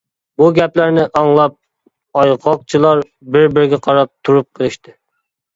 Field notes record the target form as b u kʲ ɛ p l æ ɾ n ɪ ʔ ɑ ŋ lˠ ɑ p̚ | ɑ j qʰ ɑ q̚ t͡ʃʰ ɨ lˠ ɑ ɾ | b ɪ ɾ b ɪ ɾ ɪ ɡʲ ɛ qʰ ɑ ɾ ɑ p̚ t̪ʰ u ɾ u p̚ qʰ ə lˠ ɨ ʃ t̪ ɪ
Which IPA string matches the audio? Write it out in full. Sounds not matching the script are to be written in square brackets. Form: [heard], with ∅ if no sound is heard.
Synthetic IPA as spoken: b u [ɡʲ] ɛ p l æ ɾ n ɪ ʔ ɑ ŋ lˠ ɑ p̚ | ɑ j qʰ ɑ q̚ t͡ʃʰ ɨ lˠ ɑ ɾ | b ɪ ɾ b ɪ ɾ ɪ ɡʲ ɛ qʰ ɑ ɾ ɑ p̚ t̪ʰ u ɾ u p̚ qʰ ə lˠ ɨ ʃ t̪ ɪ